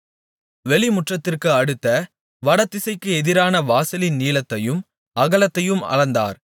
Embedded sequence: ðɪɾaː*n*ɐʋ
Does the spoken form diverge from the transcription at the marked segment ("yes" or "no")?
no